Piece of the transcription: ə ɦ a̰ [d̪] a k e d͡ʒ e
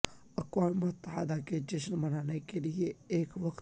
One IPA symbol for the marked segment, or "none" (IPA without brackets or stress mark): d̪